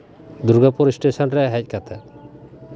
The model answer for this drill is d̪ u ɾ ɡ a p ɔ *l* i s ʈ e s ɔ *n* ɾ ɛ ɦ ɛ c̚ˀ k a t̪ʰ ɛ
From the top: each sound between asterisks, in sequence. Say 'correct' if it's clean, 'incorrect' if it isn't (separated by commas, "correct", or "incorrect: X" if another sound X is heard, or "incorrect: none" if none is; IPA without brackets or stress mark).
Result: incorrect: ɾ, correct